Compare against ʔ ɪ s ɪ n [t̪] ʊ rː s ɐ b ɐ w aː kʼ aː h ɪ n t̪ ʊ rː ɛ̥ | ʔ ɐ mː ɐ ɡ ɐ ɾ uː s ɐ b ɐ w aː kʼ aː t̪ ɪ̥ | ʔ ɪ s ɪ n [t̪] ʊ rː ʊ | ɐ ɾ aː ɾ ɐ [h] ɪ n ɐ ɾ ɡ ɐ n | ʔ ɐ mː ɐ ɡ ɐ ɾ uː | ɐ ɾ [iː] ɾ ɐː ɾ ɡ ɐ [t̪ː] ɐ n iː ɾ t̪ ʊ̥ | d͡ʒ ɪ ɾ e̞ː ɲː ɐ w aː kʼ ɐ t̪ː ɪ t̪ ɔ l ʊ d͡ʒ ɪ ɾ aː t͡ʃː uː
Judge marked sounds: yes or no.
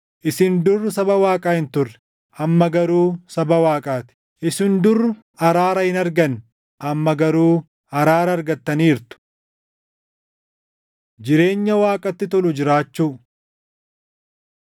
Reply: no, no, yes, no, yes

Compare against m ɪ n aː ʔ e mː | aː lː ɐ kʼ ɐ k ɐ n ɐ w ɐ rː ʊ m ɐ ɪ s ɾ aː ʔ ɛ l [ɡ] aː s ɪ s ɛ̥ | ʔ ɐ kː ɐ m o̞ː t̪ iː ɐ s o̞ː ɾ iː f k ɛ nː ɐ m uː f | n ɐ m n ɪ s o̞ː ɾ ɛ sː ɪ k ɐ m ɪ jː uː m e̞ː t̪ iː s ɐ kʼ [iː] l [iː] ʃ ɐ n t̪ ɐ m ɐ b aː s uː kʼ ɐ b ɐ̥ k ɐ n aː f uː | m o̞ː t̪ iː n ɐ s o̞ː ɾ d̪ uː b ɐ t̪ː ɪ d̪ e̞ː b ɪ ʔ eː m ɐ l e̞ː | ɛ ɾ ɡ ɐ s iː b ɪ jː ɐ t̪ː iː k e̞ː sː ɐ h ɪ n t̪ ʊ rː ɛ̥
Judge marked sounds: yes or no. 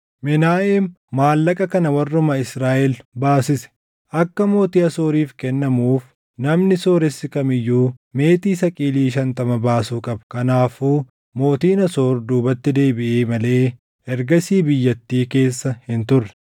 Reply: no, yes, yes

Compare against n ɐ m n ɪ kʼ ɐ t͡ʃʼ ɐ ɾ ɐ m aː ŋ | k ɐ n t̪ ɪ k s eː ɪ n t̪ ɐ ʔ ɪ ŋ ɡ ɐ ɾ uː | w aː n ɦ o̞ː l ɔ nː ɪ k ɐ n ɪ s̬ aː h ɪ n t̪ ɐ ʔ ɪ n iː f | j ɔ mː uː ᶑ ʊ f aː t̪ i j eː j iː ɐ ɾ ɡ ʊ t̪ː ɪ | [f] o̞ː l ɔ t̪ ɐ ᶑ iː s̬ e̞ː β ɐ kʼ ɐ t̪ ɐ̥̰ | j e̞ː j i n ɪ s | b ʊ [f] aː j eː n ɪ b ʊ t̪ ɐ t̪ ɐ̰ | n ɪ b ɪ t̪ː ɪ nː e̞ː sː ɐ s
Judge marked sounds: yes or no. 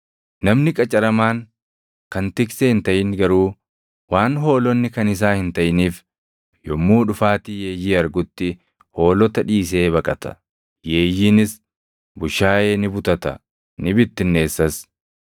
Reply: no, no

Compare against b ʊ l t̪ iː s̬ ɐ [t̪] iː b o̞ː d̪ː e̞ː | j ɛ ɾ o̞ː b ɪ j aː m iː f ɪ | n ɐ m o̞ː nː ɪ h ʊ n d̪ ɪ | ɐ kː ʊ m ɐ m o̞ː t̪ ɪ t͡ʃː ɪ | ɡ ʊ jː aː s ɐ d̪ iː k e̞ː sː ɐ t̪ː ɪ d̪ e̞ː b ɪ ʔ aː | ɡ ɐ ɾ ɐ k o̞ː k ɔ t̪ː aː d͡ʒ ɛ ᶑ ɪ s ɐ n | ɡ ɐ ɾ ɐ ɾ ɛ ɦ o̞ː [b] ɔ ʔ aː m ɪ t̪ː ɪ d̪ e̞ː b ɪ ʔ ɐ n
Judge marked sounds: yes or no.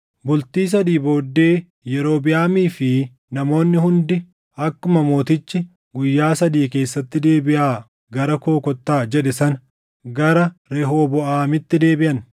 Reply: no, yes

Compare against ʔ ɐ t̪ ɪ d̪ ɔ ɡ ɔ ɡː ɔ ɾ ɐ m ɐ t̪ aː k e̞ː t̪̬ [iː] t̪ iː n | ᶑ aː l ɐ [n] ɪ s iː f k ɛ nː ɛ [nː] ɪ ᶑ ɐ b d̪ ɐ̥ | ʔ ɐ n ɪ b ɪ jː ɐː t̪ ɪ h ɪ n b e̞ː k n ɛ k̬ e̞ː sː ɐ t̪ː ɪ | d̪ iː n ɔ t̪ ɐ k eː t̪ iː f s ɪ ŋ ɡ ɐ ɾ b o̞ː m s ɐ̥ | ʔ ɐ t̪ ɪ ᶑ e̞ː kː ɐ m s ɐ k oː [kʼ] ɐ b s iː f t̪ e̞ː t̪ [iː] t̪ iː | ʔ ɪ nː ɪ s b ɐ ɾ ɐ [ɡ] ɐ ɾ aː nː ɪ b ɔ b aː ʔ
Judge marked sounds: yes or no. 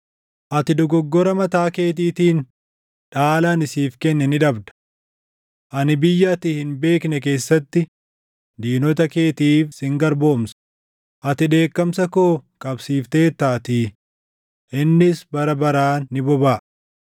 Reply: yes, yes, no, yes, no, no

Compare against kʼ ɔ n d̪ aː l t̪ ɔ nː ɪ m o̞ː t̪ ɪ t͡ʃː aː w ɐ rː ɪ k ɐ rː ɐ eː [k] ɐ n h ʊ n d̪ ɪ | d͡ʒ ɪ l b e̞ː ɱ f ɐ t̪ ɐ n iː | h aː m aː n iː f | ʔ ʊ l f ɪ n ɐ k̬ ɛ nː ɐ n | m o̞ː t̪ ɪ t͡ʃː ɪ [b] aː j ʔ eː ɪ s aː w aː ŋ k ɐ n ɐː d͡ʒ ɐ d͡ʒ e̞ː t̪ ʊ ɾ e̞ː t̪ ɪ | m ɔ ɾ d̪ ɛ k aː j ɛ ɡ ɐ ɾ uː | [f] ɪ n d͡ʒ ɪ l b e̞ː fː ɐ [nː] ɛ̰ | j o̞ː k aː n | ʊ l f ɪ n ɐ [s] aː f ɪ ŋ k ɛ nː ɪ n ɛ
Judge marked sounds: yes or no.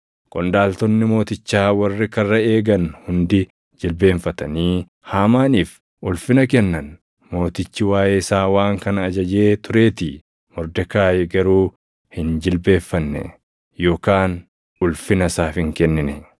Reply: no, no, no, yes, yes

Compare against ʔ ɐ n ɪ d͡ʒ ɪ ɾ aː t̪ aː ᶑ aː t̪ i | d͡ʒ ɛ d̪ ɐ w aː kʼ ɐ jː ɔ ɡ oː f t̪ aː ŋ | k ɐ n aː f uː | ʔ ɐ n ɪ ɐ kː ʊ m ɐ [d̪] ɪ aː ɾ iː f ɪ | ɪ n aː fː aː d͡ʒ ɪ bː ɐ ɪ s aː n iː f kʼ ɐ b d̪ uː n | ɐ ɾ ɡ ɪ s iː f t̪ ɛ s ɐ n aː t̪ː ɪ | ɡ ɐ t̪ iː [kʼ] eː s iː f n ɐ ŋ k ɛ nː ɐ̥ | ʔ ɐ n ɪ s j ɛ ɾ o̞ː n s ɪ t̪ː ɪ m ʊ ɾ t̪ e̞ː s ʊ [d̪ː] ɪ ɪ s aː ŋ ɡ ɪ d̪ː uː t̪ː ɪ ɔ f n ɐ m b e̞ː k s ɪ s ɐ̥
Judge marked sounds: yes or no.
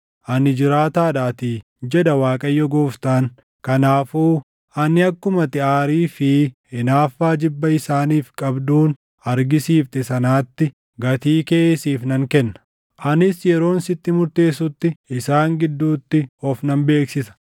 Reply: no, no, no

